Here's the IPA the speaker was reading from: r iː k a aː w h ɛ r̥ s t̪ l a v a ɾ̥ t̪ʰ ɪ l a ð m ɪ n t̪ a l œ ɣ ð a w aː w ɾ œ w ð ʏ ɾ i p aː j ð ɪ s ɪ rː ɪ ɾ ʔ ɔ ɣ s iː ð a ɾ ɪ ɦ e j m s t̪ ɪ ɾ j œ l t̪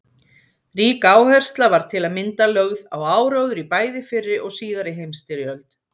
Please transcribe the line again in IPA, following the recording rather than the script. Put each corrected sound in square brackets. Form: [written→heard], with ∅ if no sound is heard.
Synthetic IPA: r iː k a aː w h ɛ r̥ s t̪ l a v a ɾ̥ t̪ʰ ɪ l a ð m ɪ n t̪ a l œ ɣ ð a w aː w ɾ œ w ð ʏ ɾ i p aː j ð ɪ [s→f] ɪ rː ɪ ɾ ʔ ɔ ɣ s iː ð a ɾ ɪ ɦ e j m s t̪ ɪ ɾ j œ l t̪